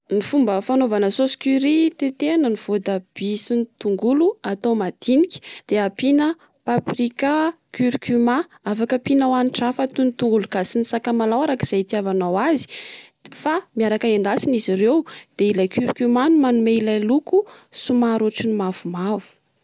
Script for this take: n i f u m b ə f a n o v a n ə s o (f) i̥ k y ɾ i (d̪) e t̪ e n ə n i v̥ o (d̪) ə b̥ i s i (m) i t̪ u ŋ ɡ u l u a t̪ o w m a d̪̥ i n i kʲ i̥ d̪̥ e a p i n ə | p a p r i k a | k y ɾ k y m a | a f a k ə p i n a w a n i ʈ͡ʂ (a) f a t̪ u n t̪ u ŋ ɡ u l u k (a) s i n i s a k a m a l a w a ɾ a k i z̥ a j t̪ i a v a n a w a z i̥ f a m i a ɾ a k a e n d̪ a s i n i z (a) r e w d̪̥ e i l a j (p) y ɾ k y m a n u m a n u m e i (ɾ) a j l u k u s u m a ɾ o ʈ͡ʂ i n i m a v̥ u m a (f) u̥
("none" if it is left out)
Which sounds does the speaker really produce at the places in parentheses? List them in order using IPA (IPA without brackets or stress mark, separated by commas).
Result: s, t̪, d̪, n, a, a, i, k, l, v